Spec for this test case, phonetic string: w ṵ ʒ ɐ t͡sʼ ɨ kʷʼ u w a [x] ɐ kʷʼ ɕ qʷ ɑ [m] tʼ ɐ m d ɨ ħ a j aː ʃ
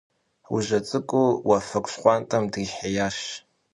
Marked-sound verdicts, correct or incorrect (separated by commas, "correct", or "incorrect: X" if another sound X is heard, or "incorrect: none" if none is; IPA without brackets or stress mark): incorrect: f, incorrect: n